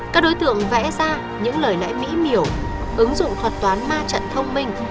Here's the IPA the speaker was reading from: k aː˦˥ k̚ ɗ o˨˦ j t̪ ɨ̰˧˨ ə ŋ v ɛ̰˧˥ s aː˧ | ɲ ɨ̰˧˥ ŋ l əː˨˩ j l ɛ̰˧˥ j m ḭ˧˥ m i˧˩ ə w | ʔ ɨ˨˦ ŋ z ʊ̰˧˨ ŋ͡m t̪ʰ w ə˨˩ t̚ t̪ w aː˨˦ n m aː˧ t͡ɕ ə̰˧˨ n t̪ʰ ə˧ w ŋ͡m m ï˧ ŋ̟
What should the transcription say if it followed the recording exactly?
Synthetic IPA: k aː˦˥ k̚ ɗ o˨˦ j t̪ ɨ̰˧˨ ə ŋ v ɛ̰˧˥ z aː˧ | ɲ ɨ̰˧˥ ŋ l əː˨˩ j l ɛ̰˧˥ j m ḭ˧˥ m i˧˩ ə w | ʔ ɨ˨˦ ŋ z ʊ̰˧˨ ŋ͡m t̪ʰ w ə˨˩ t̚ t̪ w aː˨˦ n m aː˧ t͡ɕ ə̰˧˨ n t̪ʰ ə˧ w ŋ͡m m ï˧ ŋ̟